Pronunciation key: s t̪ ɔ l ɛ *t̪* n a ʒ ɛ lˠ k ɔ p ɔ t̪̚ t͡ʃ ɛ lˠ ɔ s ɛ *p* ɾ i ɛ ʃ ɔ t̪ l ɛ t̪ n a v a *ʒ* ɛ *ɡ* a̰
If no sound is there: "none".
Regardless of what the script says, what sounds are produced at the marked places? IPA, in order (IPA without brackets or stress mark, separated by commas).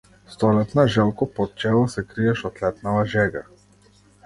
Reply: t̪, k, ʒ, ɡ